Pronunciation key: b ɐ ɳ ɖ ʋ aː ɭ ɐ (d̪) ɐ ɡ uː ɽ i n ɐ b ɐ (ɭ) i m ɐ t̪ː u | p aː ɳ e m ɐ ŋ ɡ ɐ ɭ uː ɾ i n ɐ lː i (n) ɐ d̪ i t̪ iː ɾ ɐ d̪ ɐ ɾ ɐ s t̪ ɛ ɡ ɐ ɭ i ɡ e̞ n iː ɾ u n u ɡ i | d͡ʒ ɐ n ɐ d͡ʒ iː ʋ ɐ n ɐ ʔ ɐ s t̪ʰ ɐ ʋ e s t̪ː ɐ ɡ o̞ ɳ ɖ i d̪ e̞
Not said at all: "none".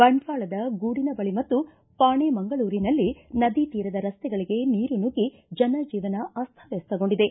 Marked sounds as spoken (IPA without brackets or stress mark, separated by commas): d̪, ɭ, n